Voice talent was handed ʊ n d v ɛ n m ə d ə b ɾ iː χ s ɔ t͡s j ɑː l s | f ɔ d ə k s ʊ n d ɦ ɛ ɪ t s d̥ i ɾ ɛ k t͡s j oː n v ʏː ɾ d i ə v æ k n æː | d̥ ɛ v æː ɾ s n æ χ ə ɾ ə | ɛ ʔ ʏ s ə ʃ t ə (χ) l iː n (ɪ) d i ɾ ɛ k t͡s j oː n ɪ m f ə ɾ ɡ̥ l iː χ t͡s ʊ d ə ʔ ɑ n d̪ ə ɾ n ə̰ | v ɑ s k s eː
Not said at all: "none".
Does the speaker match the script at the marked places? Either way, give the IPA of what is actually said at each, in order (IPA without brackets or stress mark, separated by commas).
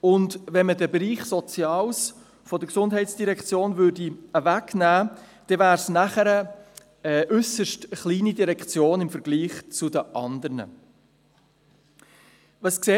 χ, i